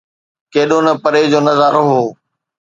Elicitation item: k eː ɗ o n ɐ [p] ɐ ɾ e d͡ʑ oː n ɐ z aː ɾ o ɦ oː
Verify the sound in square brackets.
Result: correct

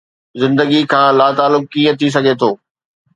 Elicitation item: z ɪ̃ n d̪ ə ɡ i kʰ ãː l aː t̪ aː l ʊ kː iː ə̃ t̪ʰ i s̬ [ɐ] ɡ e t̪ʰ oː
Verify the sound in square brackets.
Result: correct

